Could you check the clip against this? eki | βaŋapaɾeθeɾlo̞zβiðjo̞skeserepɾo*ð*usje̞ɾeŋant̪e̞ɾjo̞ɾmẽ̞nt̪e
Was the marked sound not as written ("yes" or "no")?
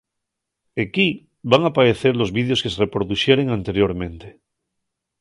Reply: no